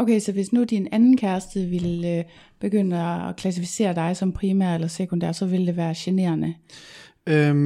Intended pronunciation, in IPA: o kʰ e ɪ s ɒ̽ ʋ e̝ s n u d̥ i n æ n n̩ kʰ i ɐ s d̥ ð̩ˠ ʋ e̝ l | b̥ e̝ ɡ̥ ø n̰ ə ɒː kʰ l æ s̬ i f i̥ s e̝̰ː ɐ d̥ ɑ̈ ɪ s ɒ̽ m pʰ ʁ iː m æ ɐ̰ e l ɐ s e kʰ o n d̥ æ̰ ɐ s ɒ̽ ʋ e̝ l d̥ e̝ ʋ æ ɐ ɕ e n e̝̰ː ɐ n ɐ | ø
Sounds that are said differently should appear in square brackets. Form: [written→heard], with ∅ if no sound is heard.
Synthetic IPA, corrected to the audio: o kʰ e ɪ s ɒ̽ ʋ e̝ s n u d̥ i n æ n n̩ kʰ [i→æ] ɐ s d̥ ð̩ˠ ʋ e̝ l | b̥ e̝ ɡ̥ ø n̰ ə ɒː kʰ l æ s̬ i f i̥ s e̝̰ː ɐ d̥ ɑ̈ ɪ s ɒ̽ m pʰ ʁ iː m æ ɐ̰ e l ɐ s e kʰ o n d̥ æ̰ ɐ s ɒ̽ ʋ e̝ l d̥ e̝ ʋ [æ→æː] ɐ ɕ e n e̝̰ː ɐ n [ɐ→ə] | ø